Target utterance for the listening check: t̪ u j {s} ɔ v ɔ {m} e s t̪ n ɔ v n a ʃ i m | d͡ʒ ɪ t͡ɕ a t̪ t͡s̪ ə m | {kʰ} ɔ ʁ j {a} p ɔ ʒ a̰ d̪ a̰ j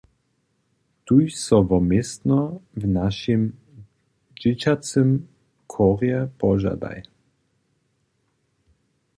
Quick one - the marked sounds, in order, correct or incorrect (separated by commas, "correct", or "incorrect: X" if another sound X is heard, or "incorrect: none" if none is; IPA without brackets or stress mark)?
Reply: correct, correct, correct, incorrect: ɛ